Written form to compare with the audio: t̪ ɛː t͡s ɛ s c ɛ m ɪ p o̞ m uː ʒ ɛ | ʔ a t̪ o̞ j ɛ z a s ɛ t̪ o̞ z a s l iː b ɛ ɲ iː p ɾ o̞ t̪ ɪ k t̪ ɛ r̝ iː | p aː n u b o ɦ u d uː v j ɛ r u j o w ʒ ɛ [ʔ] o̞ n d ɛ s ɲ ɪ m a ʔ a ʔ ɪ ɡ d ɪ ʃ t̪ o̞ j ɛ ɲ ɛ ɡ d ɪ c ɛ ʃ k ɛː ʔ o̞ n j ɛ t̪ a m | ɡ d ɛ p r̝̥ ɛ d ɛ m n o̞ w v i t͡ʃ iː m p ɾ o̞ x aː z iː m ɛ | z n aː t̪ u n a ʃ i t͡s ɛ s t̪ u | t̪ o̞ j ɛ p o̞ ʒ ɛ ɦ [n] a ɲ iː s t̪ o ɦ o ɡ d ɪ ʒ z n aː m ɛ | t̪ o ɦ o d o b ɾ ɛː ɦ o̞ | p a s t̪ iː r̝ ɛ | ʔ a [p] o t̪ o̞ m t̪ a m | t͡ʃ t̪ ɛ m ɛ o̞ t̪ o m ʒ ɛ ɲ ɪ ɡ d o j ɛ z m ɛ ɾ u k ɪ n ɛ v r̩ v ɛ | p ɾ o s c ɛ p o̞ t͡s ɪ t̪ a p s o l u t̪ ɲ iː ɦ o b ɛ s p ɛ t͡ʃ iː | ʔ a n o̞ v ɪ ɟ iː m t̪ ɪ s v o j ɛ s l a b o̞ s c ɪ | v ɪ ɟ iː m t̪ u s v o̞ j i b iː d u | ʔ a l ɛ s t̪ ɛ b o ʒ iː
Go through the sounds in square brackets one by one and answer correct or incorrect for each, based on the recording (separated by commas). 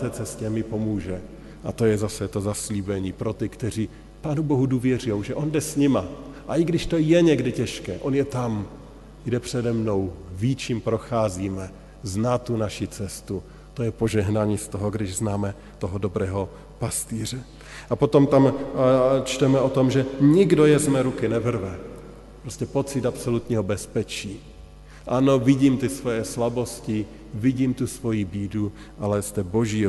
correct, correct, correct